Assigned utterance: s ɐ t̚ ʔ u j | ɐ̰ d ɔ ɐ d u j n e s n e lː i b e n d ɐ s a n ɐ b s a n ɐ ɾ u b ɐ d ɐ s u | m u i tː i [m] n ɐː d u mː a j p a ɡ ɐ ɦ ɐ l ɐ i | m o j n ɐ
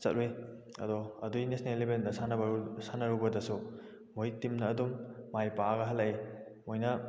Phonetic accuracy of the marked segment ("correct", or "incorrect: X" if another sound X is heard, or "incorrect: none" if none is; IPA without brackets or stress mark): correct